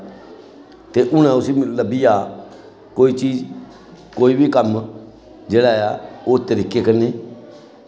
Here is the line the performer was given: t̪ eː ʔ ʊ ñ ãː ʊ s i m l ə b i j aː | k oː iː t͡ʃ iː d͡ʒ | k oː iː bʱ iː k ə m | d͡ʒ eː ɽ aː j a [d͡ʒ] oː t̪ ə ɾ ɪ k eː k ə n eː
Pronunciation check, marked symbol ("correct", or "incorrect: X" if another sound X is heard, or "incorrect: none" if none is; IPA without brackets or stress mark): incorrect: none